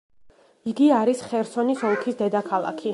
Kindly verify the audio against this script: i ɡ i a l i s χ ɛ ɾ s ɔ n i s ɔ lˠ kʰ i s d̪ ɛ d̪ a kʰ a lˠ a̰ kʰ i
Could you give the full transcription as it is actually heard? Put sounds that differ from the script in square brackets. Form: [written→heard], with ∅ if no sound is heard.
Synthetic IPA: i ɡ i a [l→ɾ] i s χ ɛ ɾ s ɔ n i s ɔ lˠ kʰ i s d̪ ɛ d̪ a kʰ a lˠ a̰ kʰ i